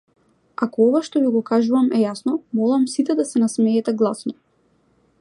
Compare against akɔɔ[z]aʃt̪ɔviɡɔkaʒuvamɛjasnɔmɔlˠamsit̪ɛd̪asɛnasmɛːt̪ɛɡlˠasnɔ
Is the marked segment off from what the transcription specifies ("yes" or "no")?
yes